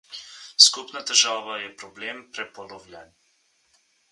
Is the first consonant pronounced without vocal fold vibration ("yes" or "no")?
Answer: yes